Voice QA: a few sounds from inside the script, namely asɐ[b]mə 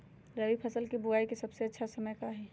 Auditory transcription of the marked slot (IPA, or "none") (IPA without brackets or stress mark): none